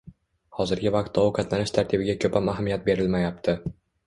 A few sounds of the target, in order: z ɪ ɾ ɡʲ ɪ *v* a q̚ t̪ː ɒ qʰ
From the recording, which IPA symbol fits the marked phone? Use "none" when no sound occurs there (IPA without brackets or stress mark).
v